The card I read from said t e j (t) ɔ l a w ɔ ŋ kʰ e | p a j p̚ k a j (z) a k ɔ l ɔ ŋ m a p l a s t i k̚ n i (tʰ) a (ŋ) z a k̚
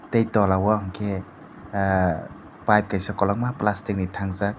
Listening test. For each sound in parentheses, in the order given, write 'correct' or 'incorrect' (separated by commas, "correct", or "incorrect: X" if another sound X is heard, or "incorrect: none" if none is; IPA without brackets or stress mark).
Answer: correct, incorrect: s, correct, correct